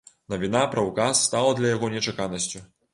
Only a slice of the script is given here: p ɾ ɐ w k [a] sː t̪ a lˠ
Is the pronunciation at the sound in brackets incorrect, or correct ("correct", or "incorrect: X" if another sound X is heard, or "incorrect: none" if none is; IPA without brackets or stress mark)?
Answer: correct